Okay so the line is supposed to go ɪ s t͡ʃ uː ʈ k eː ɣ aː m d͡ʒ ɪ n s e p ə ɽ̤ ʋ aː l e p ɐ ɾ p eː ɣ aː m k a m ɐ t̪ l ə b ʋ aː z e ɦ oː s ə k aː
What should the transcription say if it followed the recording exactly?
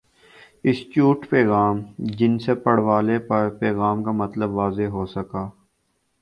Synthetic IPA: ɪ s t͡ʃ uː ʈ p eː ɣ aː m d͡ʒ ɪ n s e p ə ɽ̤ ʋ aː l e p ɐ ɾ p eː ɣ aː m k a m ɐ t̪ l ə b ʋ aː z e ɦ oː s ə k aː